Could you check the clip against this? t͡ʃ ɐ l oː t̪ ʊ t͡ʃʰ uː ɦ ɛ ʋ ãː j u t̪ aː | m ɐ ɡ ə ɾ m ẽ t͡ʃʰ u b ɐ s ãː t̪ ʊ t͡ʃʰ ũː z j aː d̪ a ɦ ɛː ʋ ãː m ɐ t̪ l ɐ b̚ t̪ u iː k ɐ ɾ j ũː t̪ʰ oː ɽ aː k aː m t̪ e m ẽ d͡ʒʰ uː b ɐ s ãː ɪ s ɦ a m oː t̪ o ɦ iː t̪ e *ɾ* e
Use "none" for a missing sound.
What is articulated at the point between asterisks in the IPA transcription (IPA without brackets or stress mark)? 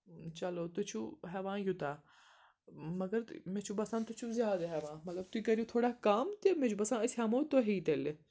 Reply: l